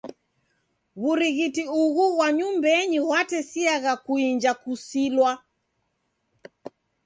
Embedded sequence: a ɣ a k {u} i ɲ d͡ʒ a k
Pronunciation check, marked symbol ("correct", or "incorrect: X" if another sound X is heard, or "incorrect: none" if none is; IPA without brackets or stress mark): correct